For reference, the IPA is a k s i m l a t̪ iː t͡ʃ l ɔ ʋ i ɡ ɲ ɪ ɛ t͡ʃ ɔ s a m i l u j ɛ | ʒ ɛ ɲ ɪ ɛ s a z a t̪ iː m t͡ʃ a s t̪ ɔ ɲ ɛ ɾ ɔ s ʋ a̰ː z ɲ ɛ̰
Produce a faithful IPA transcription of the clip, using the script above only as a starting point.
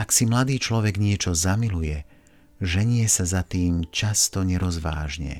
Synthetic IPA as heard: a k s i m l a d̪ iː t͡ʃ l ɔ ʋ ɛ ɡ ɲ ɪ ɛ t͡ʃ ɔ z a m i l u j ɛ | ʒ ɛ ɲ ɪ ɛ s a z a t̪ iː m t͡ʃ a s t̪ ɔ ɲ ɛ ɾ ɔ z ʋ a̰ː ʒ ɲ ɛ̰